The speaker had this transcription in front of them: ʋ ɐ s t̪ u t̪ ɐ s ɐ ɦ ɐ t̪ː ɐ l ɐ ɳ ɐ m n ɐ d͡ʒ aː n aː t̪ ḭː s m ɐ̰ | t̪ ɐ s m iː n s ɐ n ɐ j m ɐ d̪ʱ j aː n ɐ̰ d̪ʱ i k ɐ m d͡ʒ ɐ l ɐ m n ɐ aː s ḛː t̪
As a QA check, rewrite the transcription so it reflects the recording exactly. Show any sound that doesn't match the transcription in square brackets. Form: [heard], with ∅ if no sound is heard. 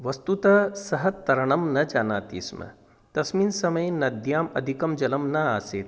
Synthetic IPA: ʋ ɐ s t̪ u t̪ ɐ s ɐ ɦ ɐ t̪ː ɐ [ɾ] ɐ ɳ ɐ m n ɐ d͡ʒ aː n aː t̪ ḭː s m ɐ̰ | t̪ ɐ s m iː n s ɐ [m] ɐ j [n] ɐ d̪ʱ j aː [m] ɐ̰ d̪ʱ i k ɐ m d͡ʒ ɐ l ɐ m n ɐ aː s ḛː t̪